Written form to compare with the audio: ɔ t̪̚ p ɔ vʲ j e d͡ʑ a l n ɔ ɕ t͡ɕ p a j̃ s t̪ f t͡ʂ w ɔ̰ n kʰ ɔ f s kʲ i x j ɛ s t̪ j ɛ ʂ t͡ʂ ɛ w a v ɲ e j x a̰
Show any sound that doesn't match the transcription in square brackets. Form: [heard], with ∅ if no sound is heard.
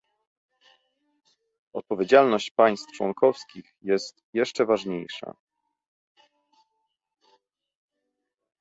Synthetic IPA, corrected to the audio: ɔ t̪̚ p ɔ vʲ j e d͡ʑ a l n ɔ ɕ t͡ɕ p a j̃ s t̪ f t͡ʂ w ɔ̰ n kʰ ɔ f s kʲ i x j ɛ s t̪ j ɛ ʂ t͡ʂ ɛ [v] a [ʐ] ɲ e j [ʂ] a̰